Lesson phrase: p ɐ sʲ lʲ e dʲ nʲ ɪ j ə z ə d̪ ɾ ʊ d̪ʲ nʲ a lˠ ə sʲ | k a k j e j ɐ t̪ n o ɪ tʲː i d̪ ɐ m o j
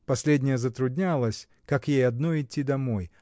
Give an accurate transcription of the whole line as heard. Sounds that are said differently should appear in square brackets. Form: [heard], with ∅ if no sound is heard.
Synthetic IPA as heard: p ɐ sʲ lʲ e dʲ nʲ ɪ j ə z ə [t̪] ɾ ʊ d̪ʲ nʲ a lˠ ə sʲ | k a k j e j ɐ [d̪] n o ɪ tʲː i d̪ ɐ m o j